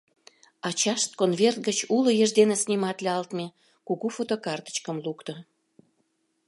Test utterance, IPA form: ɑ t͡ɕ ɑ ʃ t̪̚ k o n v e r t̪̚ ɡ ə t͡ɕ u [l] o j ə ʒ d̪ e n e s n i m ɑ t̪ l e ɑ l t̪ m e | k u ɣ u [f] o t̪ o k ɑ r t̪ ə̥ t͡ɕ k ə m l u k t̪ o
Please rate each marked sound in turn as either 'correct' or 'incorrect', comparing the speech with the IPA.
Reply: correct, correct

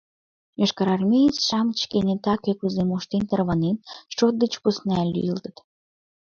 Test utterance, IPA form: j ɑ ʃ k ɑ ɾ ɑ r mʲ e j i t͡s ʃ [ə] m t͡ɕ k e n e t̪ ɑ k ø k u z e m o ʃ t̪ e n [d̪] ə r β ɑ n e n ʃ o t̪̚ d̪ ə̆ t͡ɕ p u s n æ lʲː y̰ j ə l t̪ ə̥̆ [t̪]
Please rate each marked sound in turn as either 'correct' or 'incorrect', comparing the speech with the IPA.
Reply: incorrect: ɑ, incorrect: t̪, correct

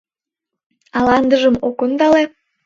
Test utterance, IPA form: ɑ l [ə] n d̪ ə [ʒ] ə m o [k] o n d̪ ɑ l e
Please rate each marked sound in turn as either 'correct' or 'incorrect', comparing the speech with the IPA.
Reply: incorrect: ɑ, correct, correct

